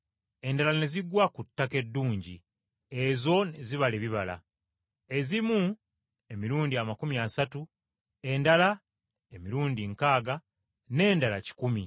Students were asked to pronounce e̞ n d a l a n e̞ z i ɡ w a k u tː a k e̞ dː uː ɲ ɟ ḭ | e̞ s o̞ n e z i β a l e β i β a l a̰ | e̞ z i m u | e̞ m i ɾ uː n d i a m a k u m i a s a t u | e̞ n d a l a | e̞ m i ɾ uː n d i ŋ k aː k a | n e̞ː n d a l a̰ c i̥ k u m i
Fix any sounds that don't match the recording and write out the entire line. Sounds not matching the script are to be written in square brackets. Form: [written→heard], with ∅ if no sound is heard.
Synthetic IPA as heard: e̞ n d a l a n e̞ z i ɡ w a k u tː a k e̞ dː uː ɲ ɟ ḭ | e̞ [s→z] o̞ n e z i β a l e β i β a l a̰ | e̞ z i m u | e̞ m i ɾ uː n d i a m a k u m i a s a t u | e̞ n d a l a | e̞ m i ɾ uː n d i ŋ k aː [k→ɡ] a | n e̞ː n d a l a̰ c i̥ k u m i